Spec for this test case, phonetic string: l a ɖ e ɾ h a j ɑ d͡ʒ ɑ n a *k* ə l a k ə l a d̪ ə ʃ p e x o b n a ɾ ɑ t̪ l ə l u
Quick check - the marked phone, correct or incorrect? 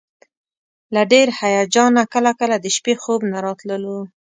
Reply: correct